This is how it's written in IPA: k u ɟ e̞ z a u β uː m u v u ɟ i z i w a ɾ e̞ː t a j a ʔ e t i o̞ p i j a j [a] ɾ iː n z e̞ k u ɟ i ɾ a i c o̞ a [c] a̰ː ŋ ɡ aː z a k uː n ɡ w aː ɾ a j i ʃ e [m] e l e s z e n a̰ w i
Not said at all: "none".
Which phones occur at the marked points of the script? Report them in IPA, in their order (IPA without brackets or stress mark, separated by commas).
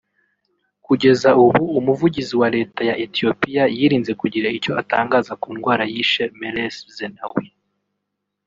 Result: i, t, m